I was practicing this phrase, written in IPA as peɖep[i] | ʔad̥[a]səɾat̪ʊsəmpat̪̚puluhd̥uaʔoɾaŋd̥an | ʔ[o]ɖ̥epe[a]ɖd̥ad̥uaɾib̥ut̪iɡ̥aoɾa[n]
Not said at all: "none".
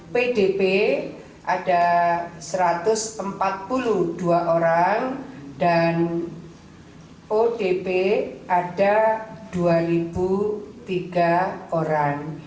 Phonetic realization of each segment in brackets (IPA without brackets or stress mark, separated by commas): e, a, o, a, ŋ